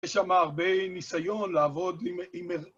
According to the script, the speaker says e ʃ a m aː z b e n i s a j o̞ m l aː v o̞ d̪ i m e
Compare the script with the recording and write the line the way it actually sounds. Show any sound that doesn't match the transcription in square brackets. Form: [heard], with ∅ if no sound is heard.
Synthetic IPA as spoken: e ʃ a m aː [ʁ] b e n i s a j o̞ [n] l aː v o̞ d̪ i m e